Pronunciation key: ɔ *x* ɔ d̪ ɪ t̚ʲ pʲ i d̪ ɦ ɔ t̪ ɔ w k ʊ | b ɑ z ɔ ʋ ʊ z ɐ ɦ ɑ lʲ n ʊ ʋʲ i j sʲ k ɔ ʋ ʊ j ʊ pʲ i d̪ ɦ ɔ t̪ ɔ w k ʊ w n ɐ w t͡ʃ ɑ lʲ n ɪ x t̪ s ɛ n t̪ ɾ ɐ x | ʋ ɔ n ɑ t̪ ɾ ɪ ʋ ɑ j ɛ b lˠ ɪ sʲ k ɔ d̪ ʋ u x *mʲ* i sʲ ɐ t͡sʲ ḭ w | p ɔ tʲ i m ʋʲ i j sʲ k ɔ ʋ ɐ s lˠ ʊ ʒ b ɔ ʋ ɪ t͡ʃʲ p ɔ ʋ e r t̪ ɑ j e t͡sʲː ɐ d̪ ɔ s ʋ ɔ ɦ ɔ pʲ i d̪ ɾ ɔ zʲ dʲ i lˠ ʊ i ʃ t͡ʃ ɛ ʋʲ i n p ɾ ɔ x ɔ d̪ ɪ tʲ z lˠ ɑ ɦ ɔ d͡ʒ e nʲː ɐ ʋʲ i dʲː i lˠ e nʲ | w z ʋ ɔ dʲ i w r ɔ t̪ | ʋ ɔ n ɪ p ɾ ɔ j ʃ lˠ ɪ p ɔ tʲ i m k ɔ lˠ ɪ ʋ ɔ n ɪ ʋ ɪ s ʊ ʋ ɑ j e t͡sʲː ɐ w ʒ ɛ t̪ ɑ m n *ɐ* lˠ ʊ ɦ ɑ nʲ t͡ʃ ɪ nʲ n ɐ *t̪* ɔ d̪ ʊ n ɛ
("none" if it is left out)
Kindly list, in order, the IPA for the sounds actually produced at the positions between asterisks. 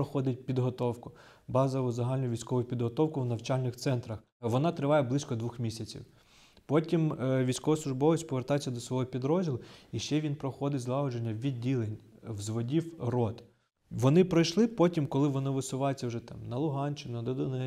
x, mʲ, ɐ, d̪

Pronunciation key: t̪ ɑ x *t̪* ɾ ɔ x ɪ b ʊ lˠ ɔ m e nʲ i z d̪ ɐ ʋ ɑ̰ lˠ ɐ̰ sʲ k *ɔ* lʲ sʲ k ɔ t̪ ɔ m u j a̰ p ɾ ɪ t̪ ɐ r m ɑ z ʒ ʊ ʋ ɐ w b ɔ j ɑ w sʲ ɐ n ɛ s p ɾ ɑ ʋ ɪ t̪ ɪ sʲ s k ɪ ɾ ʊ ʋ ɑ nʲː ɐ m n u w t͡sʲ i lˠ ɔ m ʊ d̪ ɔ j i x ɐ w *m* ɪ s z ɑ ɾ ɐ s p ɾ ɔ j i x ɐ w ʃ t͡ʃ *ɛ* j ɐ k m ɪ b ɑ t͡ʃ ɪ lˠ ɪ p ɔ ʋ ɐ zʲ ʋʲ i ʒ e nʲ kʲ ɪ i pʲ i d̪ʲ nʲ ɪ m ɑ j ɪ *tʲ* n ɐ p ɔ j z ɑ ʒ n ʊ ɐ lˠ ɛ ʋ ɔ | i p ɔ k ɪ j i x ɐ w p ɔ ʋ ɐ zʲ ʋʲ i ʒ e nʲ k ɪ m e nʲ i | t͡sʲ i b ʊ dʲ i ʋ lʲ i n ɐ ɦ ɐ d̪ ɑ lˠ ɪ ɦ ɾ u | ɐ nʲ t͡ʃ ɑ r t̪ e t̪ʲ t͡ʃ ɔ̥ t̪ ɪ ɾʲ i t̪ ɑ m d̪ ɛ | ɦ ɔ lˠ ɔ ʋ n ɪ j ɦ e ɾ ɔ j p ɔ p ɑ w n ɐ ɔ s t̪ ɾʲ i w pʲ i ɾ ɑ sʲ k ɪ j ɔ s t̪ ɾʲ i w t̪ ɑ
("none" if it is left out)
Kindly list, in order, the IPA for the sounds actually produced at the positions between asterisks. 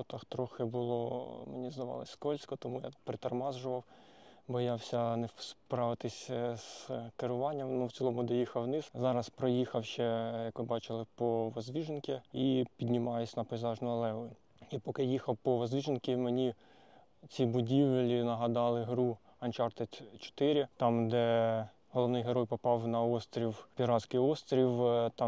t̪, ɔ, n, ɛ, sʲ

